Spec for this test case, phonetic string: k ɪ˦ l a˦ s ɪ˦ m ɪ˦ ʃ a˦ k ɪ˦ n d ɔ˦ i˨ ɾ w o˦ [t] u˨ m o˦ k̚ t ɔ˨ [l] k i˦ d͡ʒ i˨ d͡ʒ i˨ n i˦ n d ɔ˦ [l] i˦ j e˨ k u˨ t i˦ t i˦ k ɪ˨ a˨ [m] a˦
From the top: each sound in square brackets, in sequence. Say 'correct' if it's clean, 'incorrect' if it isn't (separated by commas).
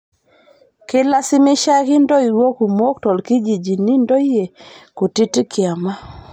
incorrect, correct, incorrect, correct